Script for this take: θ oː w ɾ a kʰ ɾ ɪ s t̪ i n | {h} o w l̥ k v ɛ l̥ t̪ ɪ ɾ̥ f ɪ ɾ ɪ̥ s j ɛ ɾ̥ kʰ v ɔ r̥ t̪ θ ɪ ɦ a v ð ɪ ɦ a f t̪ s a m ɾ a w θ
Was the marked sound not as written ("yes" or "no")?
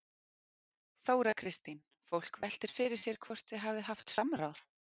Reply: yes